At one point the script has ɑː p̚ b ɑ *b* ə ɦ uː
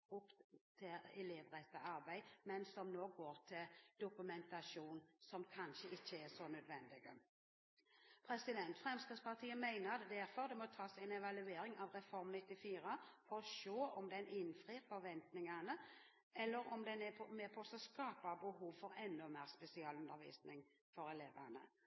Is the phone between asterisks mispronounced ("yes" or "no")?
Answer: no